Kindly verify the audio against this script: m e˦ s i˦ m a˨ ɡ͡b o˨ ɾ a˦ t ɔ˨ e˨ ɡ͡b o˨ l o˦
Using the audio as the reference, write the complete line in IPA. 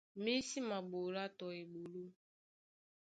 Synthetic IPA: m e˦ s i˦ m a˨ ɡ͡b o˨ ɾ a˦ t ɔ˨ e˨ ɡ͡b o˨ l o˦